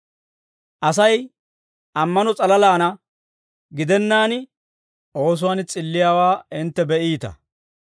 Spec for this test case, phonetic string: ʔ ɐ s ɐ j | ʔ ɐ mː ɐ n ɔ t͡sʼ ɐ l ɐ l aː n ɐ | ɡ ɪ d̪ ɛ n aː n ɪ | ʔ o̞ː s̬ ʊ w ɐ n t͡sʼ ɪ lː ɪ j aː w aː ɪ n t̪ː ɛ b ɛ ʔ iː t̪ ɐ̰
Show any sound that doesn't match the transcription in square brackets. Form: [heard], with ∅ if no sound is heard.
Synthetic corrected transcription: ʔ ɐ s ɐ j | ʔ ɐ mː ɐ n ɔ t͡sʼ ɐ l ɐ l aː n ɐ | ɡ ɪ d̪ ɛ [nː] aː n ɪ | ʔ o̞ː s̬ ʊ w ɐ n t͡sʼ ɪ lː ɪ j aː w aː ɪ n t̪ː ɛ b ɛ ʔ iː t̪ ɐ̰